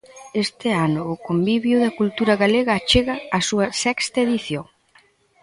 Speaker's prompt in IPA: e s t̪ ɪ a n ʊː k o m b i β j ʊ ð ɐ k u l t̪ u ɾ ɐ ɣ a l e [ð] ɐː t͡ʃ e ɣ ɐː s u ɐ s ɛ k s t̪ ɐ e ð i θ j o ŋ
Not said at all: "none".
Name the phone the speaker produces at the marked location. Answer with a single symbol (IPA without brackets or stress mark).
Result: ɣ